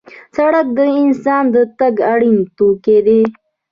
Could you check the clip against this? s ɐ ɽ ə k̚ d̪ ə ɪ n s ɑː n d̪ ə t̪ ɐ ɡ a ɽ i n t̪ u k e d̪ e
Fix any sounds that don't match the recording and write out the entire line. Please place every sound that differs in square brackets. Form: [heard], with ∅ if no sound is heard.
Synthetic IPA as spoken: s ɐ ɽ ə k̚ d̪ ə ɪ n s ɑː n d̪ ə t̪ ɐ ɡ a ɽ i n t̪ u k e d̪ e